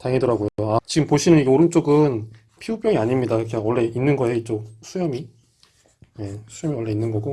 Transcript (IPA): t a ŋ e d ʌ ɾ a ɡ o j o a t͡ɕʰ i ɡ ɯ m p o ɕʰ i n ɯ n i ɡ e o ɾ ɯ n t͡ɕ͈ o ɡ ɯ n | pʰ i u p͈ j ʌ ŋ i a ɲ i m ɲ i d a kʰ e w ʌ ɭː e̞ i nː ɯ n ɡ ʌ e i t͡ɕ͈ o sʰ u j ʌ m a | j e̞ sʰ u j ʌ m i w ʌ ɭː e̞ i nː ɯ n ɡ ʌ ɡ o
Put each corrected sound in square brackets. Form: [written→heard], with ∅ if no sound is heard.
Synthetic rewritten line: t a ŋ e d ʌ ɾ a ɡ o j o a [t͡ɕʰ→t͡ɕ] i ɡ ɯ m p o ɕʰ i n ɯ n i ɡ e o ɾ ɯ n t͡ɕ͈ o ɡ ɯ n | pʰ i u p͈ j ʌ ŋ i a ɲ i m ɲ i d a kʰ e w ʌ ɭː e̞ i nː ɯ n ɡ ʌ e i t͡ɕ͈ o sʰ u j ʌ m [a→i] | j e̞ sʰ u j ʌ m i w ʌ ɭː e̞ i nː ɯ n ɡ ʌ ɡ o